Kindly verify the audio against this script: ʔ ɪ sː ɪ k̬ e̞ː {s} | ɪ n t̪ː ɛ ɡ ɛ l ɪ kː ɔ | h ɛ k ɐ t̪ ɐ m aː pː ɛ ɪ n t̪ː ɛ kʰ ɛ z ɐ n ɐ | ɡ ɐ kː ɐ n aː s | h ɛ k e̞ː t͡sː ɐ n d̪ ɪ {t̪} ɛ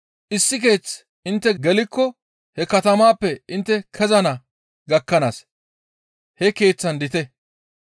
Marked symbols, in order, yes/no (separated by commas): no, yes